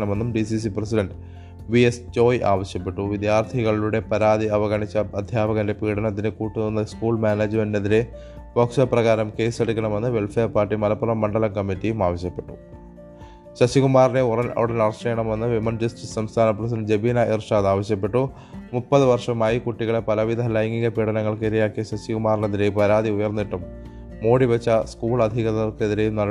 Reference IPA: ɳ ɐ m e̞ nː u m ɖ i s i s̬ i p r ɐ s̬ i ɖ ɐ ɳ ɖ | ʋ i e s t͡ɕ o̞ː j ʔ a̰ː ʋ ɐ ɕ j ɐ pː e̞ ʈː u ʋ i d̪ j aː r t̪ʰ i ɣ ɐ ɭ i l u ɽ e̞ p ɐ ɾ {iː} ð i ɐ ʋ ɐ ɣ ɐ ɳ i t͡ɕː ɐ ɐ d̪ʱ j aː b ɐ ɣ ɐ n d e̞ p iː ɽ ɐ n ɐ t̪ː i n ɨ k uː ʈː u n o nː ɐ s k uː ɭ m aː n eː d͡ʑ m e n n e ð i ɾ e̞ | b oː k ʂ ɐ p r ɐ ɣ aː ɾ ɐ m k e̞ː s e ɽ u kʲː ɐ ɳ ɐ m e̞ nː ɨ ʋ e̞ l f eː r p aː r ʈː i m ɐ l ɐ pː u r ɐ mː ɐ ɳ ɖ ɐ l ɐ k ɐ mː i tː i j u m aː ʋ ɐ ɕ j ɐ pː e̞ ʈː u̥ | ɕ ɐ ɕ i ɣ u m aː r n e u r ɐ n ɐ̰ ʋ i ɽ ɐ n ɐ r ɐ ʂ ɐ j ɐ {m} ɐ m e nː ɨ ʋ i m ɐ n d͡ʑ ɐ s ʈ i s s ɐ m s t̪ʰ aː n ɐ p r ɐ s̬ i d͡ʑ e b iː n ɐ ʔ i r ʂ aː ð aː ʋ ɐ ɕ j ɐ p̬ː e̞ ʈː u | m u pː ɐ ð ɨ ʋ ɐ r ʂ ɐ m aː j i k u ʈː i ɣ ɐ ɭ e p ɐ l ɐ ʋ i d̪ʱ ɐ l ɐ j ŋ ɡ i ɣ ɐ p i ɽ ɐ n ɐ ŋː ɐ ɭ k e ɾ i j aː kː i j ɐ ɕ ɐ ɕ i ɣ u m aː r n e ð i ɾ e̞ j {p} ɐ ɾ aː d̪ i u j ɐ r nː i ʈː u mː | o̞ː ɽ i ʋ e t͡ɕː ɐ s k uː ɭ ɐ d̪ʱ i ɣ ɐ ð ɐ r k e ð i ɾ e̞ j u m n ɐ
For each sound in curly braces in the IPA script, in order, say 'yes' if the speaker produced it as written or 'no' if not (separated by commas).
no, no, yes